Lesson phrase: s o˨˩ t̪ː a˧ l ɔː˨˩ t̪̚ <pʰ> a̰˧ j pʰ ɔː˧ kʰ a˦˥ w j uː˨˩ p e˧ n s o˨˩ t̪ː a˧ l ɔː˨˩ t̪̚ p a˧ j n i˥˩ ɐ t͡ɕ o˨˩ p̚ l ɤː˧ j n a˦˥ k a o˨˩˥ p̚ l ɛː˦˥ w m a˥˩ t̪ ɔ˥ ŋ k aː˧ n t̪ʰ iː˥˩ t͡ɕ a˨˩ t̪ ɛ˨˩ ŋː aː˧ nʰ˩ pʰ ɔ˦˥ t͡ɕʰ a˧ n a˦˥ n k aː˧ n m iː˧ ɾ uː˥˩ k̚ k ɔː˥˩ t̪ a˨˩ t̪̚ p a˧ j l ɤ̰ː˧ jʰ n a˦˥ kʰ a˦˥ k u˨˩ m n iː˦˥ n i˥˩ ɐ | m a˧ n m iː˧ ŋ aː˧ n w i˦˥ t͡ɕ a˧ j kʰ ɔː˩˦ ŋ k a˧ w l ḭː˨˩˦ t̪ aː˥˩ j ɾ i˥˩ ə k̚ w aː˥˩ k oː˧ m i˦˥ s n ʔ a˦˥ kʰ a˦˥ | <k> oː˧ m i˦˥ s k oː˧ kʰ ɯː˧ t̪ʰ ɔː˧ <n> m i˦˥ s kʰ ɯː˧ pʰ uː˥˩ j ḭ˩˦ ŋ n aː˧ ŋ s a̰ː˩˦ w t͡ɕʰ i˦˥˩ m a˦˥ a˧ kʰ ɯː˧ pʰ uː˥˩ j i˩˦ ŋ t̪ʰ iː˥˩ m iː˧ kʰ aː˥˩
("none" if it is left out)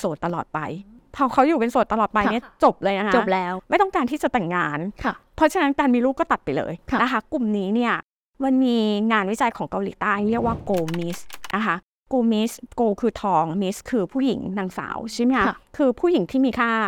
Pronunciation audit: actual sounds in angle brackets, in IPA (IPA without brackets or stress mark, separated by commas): p, k, ŋ